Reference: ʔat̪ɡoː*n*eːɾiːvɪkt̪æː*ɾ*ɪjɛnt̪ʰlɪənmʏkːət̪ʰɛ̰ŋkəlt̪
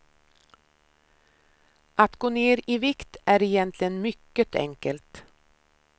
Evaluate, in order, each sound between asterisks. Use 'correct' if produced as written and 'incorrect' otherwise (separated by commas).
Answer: correct, correct